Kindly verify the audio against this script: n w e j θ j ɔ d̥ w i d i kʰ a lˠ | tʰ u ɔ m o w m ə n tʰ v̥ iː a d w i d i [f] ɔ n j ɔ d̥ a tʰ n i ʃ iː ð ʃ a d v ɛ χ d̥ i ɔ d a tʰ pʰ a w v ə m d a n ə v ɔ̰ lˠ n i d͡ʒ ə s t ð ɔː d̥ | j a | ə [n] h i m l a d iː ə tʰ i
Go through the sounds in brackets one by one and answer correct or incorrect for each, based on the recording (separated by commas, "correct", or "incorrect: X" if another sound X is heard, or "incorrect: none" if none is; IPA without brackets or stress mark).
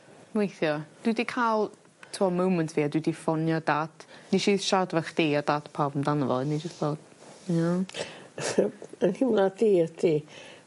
correct, correct